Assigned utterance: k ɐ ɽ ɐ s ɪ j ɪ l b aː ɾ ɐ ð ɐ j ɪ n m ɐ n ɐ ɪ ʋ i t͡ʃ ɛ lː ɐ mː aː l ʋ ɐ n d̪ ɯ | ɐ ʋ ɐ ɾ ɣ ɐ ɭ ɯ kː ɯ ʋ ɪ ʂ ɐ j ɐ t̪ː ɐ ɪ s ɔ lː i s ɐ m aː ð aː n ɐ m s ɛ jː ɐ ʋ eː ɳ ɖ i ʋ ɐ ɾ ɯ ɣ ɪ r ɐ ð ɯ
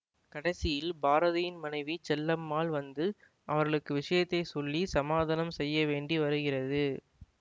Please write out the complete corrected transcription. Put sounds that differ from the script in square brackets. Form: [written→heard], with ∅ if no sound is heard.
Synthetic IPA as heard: k ɐ ɽ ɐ s ɪ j ɪ l b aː ɾ ɐ ð ɐ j ɪ n m ɐ n ɐ ɪ ʋ i t͡ʃ ɛ lː ɐ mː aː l ʋ ɐ n d̪ ɯ | ɐ ʋ ɐ ɾ ɣ ɐ ɭ ɯ kː ɯ ʋ ɪ ʂ ɐ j ɐ t̪ː ɐ ɪ s ɔ lː i s ɐ m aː ð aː n ɐ m s ɛ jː ɐ ʋ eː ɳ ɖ i ʋ ɐ ɾ ɯ ɣ ɪ r ɐ ð ɯ